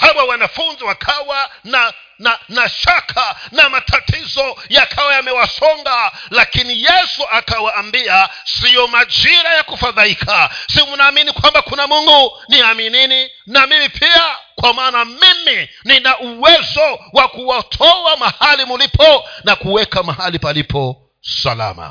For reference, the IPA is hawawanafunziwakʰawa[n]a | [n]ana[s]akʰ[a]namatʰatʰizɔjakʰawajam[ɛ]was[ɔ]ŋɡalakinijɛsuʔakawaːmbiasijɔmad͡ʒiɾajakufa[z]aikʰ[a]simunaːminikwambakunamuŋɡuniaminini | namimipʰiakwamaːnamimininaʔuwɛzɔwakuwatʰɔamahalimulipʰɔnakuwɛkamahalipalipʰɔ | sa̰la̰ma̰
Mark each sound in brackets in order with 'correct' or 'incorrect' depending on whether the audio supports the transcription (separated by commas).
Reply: correct, correct, incorrect, correct, correct, correct, incorrect, correct